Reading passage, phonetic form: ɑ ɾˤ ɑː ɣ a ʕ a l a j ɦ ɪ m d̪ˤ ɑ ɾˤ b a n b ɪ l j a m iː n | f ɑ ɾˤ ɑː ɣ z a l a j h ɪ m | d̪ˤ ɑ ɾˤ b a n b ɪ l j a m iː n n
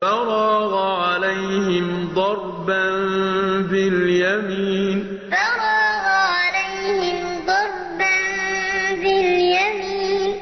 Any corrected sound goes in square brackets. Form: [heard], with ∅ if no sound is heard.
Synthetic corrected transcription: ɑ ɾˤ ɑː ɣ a ʕ a l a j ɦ ɪ m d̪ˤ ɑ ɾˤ b a n b ɪ l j a m iː n | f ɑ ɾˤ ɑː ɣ [ʕ] a l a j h ɪ m | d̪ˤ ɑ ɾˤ b a n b ɪ l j a m iː n n